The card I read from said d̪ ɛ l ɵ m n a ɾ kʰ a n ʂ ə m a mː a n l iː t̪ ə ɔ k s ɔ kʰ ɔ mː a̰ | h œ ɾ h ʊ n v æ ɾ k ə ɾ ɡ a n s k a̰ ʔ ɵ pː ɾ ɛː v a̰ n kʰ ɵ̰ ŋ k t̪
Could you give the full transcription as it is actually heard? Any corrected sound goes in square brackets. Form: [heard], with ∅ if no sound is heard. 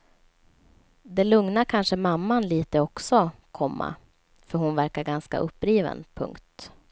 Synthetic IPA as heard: d̪ ɛ l ɵ [ŋ] n a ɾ kʰ a n ʂ ə m a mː a n l iː t̪ ə ɔ k s ɔ kʰ ɔ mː a̰ | [f] œ ɾ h ʊ n v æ ɾ k [a] ɾ ɡ a n s k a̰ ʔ ɵ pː ɾ [iː] v [ə̰] n [pʰ] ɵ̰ ŋ k t̪